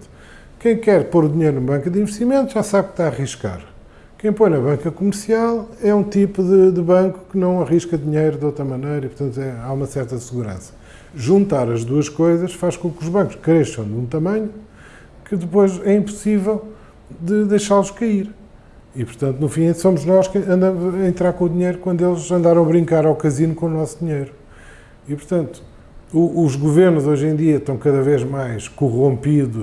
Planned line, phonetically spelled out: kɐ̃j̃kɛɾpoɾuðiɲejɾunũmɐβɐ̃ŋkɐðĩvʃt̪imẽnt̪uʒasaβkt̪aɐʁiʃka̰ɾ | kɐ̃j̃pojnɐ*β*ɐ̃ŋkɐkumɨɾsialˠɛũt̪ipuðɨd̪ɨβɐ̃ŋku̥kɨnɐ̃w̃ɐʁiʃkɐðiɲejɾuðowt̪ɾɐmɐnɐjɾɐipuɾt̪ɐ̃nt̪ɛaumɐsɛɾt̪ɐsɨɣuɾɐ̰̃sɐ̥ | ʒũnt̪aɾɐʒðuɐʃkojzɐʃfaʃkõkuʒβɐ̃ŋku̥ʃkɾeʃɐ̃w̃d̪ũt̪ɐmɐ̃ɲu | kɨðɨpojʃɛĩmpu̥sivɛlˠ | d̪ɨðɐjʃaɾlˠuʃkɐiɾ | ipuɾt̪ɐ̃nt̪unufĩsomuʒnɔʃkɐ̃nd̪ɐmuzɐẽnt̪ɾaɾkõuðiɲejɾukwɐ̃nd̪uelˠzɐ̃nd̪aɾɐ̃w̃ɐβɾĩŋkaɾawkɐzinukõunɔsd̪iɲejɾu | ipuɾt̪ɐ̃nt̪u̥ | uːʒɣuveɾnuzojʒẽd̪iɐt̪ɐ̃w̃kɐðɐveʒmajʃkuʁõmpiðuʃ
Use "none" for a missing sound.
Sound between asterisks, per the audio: β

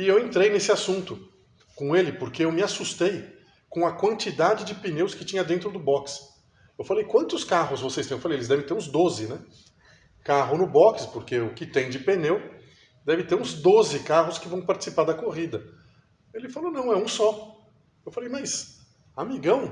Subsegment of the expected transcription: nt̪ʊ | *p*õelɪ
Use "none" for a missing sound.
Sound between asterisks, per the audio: k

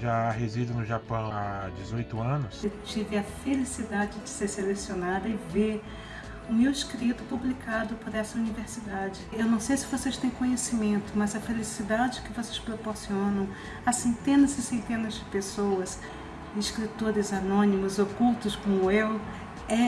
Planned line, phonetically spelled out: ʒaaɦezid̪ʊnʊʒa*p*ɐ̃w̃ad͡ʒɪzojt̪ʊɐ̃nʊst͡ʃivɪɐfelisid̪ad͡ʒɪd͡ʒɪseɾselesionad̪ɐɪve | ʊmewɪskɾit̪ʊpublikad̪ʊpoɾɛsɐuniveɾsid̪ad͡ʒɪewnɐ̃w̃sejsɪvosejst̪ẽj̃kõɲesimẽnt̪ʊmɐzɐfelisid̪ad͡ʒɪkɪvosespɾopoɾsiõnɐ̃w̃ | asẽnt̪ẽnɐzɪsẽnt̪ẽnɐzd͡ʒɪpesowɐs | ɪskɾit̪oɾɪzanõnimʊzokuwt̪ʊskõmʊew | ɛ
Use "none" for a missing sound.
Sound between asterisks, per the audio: p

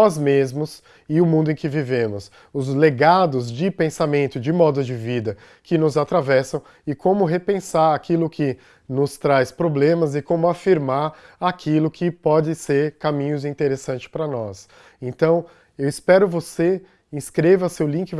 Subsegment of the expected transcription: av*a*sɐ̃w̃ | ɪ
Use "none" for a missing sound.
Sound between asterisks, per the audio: ɛ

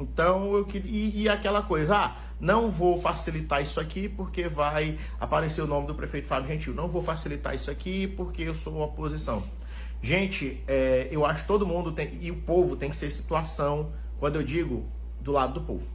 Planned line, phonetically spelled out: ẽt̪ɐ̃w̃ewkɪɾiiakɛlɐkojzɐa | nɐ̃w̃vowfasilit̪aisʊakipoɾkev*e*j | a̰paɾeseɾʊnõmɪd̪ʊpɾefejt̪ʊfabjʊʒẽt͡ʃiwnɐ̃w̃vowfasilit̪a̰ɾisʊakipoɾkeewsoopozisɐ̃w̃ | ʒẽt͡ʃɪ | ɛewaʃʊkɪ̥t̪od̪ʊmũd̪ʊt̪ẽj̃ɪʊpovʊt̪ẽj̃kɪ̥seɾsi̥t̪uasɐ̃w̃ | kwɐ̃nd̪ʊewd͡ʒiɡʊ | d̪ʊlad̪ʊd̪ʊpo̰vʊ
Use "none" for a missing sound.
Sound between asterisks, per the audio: a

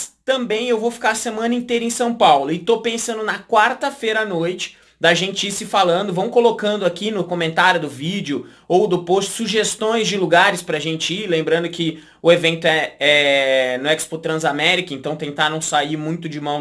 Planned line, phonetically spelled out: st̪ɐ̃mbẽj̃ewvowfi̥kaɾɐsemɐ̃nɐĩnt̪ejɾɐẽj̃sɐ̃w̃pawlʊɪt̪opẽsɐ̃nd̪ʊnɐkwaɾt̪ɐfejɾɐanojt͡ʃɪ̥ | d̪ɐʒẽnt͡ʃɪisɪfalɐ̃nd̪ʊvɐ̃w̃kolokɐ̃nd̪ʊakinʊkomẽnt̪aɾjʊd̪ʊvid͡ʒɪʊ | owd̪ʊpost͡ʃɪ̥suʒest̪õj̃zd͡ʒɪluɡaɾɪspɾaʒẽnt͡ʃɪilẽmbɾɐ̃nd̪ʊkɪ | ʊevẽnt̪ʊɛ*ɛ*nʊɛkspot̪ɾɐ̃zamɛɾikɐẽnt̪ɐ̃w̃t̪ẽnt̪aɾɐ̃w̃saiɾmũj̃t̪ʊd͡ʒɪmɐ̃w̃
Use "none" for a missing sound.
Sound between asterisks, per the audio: ɛ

